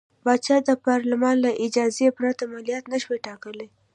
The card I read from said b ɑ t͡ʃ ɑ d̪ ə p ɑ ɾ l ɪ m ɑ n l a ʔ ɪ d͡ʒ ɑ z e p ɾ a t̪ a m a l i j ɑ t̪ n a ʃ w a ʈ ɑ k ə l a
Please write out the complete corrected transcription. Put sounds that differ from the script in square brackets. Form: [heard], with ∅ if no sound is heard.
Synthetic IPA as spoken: b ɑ t͡ʃ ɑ d̪ ə p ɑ ɾ l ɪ m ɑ n l a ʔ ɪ d͡ʒ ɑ z e p ɾ a t̪ a m a l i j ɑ t̪ n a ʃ w [e] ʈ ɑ k ə l [e]